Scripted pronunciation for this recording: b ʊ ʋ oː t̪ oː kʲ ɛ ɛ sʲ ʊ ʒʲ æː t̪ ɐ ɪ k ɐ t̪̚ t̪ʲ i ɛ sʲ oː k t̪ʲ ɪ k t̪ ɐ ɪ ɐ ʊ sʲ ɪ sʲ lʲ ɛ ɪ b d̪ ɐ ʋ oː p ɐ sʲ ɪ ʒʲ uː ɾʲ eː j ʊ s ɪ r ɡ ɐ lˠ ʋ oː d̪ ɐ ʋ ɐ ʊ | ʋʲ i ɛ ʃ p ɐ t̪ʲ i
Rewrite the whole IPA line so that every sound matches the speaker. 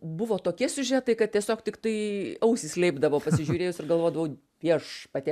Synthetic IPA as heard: b ʊ ʋ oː t̪ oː kʲ i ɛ sʲ ʊ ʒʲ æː t̪ ɐ ɪ k ɐ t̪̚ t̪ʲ i ɛ sʲ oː k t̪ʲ ɪ k t̪ ɐ ɪ ɐ ʊ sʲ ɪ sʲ lʲ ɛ ɪ b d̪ ɐ ʋ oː p ɐ sʲ ɪ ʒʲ uː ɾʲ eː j ʊ s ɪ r ɡ ɐ lˠ ʋ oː d̪ ɐ ʋ ɐ ʊ | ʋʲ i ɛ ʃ p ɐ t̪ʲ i